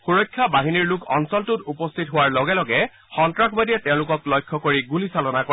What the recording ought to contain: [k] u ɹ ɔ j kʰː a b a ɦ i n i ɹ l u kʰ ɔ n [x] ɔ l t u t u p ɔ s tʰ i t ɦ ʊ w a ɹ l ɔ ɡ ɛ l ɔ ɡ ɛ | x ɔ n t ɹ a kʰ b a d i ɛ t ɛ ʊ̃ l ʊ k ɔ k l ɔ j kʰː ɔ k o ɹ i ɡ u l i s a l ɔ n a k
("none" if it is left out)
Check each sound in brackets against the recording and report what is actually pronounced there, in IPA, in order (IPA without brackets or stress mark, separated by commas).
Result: x, s